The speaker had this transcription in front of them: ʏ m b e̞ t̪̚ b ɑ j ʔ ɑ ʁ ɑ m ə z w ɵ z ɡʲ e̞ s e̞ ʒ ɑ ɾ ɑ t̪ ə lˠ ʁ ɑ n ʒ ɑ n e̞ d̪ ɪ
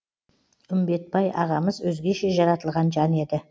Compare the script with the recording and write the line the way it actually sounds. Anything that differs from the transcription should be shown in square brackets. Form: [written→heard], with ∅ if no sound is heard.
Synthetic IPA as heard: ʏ m b e̞ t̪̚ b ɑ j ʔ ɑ ʁ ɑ m ə z w ɵ z ɡʲ e̞ [s→ʃ] e̞ ʒ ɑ ɾ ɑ t̪ ə lˠ ʁ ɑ n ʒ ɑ n e̞ d̪ ɪ